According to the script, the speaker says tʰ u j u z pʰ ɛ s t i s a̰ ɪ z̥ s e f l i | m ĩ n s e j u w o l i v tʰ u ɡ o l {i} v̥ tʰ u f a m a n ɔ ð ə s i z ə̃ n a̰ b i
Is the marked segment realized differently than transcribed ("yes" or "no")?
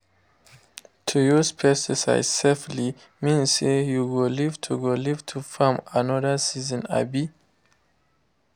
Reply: no